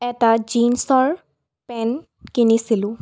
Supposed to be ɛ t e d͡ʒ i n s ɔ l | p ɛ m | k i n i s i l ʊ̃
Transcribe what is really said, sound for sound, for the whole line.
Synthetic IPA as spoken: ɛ t a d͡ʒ i n s ɔ ɹ | p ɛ n | k i n i s i l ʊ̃

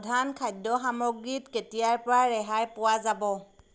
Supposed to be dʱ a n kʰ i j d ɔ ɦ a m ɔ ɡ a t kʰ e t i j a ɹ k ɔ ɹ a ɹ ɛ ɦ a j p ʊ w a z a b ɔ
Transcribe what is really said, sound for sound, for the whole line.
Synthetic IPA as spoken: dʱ a n kʰ a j d ɔ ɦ a m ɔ ɡ i t k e t i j a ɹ p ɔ ɹ a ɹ ɛ ɦ a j p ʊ w a z a b ɔ

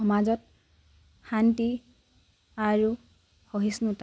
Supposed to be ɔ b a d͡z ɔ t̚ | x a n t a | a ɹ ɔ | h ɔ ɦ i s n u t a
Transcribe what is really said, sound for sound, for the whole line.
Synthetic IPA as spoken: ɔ m a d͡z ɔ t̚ | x a n t i | a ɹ u | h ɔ ɦ i s n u t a

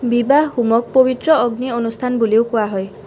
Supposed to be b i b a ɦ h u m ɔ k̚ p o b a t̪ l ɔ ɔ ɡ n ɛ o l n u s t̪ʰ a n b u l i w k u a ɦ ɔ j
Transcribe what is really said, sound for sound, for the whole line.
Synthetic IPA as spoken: b i b a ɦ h u m ɔ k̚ p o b i t̪ ɾ ɔ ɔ ɡ n i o n u s t̪ʰ a n b u l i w k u a ɦ ɔ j

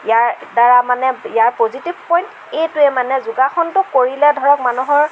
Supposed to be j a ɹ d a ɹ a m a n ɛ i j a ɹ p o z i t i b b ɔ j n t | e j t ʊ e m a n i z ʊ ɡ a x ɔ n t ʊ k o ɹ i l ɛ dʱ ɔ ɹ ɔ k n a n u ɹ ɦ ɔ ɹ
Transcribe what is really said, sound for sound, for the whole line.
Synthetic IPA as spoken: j a ɹ d a ɹ a m a n ɛ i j a ɹ p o z i t i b p ɔ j n t | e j t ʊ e m a n ɛ z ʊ ɡ a x ɔ n t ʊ k o ɹ i l ɛ dʱ ɔ ɹ ɔ k m a n u ɦ ɔ ɹ

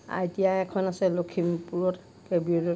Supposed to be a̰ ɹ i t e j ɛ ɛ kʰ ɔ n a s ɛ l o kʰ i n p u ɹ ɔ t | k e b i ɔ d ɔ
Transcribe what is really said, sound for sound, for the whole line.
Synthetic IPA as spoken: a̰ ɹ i t i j a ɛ kʰ ɔ n a s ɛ l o kʰ i m p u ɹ ɔ t | k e b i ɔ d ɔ

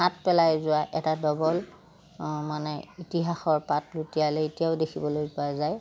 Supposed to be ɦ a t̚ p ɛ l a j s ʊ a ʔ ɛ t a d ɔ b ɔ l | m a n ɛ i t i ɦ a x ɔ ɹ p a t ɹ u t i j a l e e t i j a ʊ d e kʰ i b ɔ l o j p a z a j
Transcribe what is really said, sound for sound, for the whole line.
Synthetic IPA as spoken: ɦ a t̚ p ɛ l a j z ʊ a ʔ ɛ t a d ɔ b ɔ l | m a n ɛ i t i ɦ a x ɔ ɹ p a t l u t i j a l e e t i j a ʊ d e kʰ i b ɔ l o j p a z a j

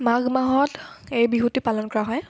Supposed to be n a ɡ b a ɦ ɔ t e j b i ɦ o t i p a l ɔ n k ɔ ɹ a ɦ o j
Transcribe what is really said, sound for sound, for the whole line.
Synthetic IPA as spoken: m a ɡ m a ɦ ɔ t e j b i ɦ u t i p a l ɔ n k ɔ ɹ a ɦ ɔ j

